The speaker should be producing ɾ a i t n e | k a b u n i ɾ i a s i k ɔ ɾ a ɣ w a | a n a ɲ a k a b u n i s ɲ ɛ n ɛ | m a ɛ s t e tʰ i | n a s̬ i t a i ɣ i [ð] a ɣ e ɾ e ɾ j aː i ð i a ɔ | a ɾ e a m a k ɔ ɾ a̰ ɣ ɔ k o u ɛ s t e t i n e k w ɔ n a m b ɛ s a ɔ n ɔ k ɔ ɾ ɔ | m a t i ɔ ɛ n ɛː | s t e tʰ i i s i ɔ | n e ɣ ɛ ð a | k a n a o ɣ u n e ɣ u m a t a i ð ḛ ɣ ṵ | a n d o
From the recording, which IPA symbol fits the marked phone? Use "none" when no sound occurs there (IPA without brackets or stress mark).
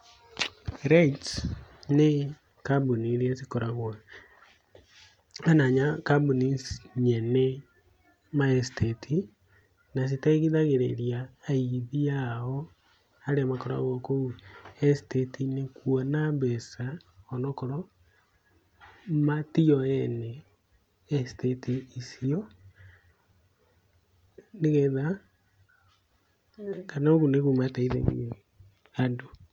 ð